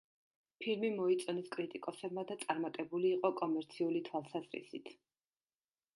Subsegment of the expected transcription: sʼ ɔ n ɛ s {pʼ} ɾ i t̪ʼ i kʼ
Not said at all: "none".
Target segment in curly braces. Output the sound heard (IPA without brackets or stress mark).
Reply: kʼ